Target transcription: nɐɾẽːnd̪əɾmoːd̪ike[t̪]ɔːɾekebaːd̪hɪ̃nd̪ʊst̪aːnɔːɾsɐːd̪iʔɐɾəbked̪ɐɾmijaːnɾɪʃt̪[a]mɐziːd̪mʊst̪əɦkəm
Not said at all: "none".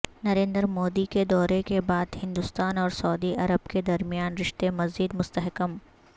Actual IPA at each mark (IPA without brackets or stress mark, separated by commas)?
d̪, e